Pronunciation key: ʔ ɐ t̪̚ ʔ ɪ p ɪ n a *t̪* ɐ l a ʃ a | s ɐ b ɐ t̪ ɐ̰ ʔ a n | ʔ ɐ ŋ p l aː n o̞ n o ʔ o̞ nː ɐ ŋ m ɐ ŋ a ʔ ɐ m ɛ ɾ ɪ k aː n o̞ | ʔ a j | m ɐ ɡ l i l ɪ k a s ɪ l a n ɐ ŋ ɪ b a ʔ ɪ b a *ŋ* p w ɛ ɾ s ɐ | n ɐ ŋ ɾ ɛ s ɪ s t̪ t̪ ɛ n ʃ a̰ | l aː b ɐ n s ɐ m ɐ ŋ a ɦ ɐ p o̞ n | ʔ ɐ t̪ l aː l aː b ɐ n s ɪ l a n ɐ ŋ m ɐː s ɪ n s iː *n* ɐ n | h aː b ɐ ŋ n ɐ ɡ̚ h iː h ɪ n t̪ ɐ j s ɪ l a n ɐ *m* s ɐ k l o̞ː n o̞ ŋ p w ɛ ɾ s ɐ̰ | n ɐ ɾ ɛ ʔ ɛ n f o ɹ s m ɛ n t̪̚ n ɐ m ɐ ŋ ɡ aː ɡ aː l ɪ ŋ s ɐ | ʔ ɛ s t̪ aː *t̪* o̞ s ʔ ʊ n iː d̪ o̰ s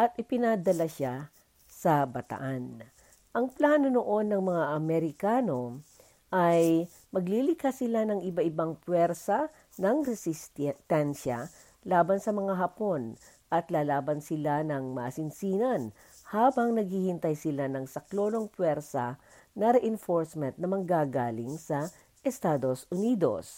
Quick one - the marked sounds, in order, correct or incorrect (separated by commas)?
incorrect, correct, correct, incorrect, incorrect